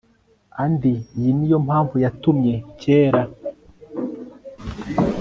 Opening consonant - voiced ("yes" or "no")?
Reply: yes